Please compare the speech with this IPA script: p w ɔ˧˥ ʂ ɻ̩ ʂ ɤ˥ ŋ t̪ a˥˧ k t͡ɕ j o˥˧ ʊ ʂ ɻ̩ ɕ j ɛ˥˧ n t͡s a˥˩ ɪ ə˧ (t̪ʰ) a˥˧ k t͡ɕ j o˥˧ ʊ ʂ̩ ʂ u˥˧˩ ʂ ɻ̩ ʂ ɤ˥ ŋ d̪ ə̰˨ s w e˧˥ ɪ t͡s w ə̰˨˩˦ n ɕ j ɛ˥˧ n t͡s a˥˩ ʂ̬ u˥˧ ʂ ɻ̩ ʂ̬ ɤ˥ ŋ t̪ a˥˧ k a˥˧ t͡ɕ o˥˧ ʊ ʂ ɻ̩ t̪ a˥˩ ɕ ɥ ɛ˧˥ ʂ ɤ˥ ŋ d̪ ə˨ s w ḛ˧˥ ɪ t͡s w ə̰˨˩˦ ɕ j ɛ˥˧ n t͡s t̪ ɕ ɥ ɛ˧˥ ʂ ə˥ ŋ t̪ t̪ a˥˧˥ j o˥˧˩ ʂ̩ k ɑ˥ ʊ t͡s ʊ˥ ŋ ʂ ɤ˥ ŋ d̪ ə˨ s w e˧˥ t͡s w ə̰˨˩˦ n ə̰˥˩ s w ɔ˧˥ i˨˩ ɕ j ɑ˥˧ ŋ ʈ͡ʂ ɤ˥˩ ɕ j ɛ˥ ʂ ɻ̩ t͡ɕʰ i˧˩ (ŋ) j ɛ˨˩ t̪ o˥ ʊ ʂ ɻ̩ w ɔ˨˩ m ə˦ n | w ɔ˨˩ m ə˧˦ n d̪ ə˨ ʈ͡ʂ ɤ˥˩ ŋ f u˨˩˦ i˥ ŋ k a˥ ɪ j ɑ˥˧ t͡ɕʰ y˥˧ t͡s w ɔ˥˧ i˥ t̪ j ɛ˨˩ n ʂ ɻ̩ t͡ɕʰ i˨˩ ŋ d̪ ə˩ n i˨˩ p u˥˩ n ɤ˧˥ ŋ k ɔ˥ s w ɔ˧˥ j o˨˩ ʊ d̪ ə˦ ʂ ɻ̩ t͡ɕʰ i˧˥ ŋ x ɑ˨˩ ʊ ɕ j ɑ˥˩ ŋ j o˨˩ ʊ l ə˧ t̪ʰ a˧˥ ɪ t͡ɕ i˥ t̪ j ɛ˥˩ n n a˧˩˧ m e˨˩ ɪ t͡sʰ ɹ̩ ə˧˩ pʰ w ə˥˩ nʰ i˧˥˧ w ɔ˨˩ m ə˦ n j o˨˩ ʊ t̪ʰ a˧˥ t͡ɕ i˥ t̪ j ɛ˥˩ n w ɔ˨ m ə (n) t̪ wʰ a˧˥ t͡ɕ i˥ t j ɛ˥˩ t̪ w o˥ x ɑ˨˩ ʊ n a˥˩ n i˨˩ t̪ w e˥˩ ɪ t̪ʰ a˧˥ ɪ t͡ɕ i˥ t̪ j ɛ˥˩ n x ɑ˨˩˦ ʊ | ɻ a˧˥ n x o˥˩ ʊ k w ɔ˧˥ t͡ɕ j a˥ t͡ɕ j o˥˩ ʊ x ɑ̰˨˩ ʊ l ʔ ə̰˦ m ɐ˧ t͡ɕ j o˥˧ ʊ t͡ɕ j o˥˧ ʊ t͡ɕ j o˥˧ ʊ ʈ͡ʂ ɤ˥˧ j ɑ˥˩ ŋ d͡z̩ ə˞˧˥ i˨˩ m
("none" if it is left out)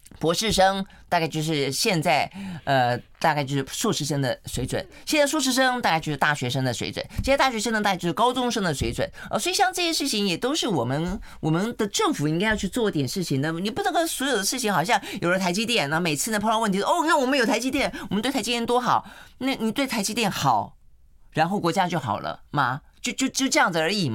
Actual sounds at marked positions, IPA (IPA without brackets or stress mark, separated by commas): t̪, ŋ, n